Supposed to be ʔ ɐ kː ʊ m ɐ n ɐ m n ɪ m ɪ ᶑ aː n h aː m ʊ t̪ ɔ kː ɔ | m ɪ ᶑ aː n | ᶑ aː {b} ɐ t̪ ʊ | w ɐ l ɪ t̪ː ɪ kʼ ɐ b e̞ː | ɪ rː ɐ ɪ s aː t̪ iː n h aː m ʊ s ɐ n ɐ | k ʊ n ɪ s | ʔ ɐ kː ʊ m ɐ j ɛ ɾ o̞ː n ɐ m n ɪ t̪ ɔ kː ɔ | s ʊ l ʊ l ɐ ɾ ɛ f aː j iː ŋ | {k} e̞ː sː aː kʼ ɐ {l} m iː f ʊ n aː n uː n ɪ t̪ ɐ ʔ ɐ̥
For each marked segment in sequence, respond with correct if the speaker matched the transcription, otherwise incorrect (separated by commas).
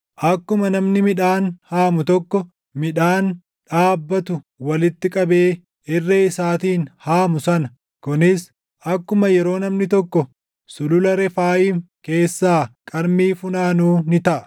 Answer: incorrect, correct, incorrect